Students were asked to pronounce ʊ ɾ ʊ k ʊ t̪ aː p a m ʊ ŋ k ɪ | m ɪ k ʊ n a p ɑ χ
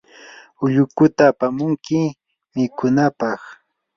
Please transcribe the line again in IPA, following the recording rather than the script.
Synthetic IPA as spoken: ʊ ʎ ʊ k ʊ t̪ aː p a m ʊ ŋ k ɪ | m ɪ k ʊ n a p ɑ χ

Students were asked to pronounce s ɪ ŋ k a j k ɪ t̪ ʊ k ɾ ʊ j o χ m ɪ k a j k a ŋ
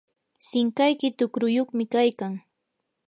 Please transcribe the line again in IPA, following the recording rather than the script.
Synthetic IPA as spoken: s ɪ ŋ k a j k ɪ t̪ ʊ k ɾ ʊ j o χ m ɪ k a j k a ŋ

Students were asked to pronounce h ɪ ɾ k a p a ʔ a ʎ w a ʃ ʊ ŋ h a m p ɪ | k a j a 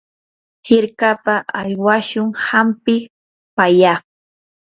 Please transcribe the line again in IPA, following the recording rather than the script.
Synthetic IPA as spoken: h ɪ ɾ k a p a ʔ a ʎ w a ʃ ʊ ŋ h a m p ɪ | p a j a

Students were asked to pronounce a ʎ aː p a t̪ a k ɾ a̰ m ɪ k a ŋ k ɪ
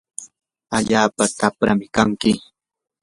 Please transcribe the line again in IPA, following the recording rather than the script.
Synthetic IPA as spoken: a ʎ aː p a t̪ a p ɾ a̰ m ɪ k a ŋ k ɪ

